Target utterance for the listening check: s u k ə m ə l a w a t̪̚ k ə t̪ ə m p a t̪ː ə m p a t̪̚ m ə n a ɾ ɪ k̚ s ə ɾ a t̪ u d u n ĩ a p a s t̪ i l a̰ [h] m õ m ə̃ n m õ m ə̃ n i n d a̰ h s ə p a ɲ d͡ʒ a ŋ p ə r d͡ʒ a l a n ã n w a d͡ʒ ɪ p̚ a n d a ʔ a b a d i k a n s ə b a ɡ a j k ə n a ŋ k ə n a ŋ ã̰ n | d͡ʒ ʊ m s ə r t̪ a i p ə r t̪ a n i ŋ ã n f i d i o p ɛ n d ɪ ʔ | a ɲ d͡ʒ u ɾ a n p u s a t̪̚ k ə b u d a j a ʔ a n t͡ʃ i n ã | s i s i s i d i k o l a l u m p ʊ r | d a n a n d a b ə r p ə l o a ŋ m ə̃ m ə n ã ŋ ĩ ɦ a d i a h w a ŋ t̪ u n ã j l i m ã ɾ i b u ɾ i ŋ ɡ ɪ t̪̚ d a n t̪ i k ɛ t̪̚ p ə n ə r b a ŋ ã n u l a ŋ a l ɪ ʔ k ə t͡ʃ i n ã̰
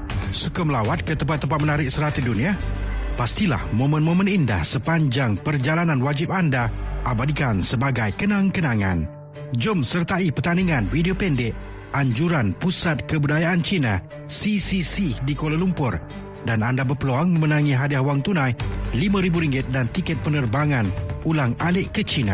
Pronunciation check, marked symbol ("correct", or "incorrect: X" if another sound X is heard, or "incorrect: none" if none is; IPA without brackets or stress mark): correct